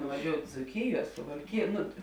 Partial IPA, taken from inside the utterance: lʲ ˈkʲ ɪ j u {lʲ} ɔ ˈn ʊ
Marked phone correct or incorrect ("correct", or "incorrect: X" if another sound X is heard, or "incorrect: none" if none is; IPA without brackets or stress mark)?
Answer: incorrect: none